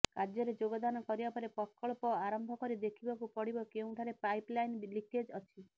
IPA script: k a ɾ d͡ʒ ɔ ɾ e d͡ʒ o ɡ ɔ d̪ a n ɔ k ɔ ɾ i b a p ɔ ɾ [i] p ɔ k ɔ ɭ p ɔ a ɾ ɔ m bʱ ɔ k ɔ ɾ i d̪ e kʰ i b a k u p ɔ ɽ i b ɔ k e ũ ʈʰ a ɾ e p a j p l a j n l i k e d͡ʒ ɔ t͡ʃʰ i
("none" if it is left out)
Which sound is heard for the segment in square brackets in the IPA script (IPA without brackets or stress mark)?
e